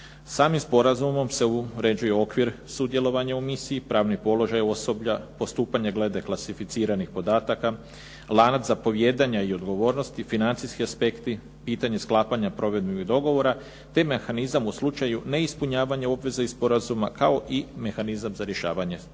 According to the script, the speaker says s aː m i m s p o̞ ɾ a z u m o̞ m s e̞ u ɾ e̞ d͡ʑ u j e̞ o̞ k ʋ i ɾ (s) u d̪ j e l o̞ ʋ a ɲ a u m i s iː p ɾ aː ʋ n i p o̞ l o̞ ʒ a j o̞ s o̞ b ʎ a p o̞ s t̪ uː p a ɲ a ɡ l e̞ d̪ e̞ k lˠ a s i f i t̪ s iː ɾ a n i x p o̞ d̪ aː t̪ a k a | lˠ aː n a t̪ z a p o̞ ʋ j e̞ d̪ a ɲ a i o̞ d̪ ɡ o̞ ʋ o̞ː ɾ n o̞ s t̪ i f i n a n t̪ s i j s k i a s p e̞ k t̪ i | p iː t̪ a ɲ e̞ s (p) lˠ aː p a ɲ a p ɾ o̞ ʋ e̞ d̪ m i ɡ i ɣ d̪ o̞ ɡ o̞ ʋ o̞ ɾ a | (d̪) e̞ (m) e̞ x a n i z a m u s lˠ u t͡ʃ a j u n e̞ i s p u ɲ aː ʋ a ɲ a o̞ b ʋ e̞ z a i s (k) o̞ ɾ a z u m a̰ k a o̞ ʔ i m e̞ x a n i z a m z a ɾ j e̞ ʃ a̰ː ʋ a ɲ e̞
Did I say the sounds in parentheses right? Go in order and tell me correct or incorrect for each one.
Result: correct, incorrect: k, incorrect: t̪, correct, incorrect: p

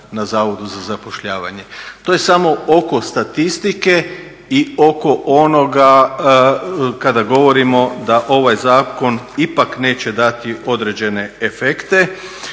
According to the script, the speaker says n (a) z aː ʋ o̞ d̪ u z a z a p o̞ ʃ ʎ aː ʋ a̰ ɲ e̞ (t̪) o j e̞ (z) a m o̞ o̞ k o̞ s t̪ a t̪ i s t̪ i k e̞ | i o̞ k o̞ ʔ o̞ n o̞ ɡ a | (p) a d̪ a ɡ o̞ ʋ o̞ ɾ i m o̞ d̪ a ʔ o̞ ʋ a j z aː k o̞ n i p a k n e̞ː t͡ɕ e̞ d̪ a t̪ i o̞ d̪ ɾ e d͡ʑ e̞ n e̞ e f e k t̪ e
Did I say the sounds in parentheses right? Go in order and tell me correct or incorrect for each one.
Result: correct, correct, incorrect: s, incorrect: k

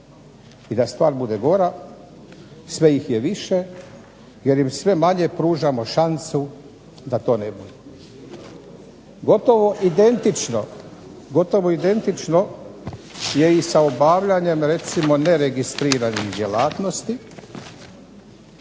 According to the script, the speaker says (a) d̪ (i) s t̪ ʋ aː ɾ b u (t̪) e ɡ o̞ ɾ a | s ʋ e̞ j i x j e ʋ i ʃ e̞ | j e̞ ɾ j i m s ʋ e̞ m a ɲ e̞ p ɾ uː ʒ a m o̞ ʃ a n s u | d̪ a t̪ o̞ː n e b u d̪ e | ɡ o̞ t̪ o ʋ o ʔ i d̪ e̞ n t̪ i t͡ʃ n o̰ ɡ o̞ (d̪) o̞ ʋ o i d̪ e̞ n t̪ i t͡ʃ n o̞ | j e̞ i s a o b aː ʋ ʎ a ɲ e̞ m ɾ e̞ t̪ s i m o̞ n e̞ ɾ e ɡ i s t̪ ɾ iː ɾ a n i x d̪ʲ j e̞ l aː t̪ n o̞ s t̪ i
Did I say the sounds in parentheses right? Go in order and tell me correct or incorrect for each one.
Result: incorrect: i, incorrect: a, incorrect: d̪, incorrect: t̪

